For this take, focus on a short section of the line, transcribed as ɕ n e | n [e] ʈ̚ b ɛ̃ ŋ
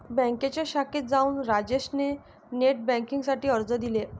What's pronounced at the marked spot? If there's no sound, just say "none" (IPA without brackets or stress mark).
e